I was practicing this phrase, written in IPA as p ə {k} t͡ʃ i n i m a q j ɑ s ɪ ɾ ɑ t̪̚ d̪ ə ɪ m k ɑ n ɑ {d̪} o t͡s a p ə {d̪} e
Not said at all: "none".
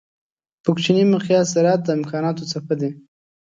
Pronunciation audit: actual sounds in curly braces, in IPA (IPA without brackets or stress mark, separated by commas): k, t̪, d̪